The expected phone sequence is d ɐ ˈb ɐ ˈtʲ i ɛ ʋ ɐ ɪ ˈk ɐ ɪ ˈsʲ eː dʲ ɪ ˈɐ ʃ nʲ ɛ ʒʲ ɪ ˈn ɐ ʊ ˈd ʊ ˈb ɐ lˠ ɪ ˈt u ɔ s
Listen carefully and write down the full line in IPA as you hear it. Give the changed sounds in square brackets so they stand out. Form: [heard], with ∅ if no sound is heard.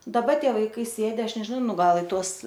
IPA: d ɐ ˈb ɐ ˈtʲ i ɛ ʋ ɐ ɪ ˈk ɐ ɪ ˈsʲ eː dʲ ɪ ˈɐ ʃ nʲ ɛ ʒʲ ɪ ˈn ɐ ʊ [ˈn] ʊ [ˈɡ] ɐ lˠ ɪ ˈt u ɔ s